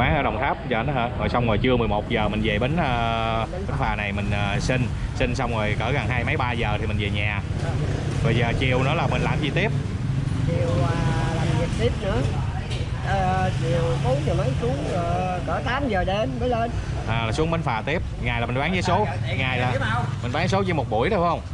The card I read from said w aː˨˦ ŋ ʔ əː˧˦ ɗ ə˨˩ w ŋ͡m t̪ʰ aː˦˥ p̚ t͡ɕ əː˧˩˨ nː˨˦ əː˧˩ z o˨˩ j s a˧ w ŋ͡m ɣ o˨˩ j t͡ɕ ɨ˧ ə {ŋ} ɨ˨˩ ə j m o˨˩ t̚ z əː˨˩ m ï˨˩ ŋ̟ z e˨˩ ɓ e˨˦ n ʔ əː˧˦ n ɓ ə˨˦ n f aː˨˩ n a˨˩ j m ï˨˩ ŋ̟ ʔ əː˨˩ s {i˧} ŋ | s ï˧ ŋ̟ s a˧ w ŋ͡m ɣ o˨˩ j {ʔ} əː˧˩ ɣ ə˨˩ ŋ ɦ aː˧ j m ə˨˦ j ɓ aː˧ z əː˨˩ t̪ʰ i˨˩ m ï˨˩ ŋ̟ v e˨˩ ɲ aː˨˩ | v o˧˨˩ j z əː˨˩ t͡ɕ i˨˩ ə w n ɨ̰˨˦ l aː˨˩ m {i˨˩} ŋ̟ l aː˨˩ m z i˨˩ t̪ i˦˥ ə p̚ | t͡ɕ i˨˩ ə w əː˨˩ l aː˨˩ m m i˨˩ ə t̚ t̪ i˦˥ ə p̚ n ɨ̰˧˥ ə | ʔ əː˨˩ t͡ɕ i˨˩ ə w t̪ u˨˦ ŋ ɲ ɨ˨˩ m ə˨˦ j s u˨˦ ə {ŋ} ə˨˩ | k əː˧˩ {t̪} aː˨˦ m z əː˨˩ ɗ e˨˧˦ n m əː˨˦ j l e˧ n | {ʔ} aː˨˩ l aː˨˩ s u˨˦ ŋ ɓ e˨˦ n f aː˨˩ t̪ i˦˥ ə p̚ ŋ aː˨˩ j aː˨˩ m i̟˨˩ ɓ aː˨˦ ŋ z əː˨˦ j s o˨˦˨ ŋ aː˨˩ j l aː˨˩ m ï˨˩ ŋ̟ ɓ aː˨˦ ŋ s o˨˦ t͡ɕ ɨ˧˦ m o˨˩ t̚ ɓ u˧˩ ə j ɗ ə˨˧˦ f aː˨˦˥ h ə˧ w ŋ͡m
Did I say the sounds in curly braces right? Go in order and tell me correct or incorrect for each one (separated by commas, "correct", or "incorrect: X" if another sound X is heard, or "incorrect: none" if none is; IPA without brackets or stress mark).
incorrect: m, correct, incorrect: k, correct, correct, correct, correct